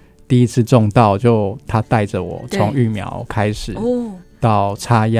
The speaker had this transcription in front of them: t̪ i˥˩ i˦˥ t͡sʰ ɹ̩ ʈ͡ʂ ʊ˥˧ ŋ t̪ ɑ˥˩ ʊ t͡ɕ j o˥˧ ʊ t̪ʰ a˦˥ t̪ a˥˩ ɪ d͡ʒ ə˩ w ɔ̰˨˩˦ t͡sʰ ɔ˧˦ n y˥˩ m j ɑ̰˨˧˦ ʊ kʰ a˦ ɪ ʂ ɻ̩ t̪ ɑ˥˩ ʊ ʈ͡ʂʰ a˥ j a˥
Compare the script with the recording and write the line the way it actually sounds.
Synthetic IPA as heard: t̪ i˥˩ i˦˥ t͡sʰ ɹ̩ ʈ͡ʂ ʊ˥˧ ŋ t̪ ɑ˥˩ ʊ t͡ɕ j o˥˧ ʊ t̪ʰ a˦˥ t̪ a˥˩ ɪ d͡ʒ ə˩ w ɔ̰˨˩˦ t͡sʰ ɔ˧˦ ŋ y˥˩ m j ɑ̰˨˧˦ ʊ kʰ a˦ ɪ ʂ ɻ̩ t̪ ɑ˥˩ ʊ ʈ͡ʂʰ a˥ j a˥